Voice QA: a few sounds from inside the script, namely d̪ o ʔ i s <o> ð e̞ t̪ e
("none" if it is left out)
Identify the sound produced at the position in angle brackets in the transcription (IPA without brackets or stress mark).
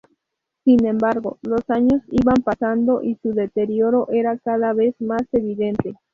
u